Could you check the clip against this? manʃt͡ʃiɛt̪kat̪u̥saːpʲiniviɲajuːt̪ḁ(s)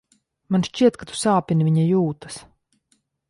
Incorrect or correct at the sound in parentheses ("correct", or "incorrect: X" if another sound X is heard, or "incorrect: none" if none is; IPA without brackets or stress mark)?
correct